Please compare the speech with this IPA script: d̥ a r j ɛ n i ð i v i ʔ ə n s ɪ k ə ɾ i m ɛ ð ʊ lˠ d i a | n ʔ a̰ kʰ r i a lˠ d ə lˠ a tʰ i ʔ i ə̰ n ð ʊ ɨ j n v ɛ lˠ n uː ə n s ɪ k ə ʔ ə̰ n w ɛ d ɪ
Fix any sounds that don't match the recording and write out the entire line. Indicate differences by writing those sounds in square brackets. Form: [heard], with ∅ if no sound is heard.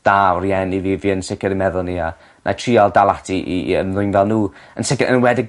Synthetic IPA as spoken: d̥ a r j ɛ n i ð i v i [∅] ə n s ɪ k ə ɾ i m ɛ ð ʊ lˠ [n] i a | n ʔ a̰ [tʰ] r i a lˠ d [a] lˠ a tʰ i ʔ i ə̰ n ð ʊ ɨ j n v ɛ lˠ n uː ə n s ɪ k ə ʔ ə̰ n w ɛ d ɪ

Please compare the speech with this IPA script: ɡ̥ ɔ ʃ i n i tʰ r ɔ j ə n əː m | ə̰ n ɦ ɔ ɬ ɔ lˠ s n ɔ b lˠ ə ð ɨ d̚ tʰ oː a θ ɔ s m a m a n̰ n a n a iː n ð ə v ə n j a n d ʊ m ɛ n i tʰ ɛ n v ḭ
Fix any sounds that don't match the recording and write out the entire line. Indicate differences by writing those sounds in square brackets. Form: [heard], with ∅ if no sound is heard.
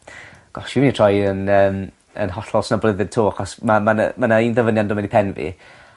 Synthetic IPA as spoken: ɡ̥ ɔ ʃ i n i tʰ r ɔ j ə n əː m | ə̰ n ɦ ɔ ɬ ɔ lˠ s n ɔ b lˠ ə ð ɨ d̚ tʰ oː a [χ] ɔ s m a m a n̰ [m] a n a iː n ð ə v ə n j a n d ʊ m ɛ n i [pʰ] ɛ n v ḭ

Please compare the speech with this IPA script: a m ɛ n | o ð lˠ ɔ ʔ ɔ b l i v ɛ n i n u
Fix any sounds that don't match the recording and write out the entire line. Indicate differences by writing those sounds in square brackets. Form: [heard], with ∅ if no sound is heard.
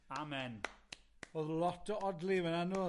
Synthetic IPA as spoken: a m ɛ n | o ð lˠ ɔ [t] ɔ [d] l i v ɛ n [a] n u

